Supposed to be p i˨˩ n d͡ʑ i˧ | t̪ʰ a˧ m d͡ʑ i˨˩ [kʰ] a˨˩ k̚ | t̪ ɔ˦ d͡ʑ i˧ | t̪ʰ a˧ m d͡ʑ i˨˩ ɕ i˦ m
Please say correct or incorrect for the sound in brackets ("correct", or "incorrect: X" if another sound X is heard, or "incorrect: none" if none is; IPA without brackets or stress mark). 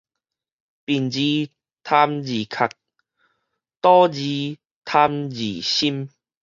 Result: correct